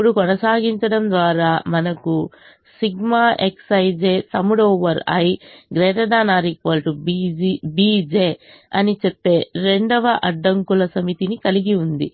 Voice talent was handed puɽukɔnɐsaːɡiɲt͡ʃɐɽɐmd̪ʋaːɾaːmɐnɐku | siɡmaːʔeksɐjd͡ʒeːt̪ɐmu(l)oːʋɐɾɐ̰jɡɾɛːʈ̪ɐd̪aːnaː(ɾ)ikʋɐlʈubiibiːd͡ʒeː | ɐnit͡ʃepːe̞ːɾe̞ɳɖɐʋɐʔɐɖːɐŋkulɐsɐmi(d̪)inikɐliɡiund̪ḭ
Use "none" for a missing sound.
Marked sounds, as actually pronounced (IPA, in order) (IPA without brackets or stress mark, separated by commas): ɽ, ɾ, t̪